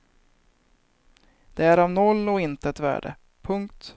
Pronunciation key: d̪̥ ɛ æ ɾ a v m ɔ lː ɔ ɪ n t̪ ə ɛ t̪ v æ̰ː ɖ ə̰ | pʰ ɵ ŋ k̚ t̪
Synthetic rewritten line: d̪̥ ɛ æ ɾ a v n ɔ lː ɔ ɪ n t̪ ə ɛ t̪ v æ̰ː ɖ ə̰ | pʰ ɵ ŋ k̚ t̪